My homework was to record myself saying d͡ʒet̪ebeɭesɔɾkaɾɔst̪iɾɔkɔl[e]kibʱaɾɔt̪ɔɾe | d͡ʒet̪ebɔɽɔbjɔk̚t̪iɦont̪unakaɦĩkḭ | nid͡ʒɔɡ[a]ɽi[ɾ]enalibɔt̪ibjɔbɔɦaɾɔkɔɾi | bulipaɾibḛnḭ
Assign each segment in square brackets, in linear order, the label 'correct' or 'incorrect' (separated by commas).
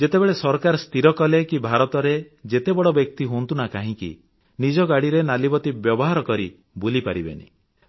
correct, correct, correct